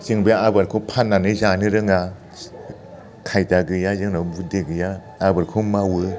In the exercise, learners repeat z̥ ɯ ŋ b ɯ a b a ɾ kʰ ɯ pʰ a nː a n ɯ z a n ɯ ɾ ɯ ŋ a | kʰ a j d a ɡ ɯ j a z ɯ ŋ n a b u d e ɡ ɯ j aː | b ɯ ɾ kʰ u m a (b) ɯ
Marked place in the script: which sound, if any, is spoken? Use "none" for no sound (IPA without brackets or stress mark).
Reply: w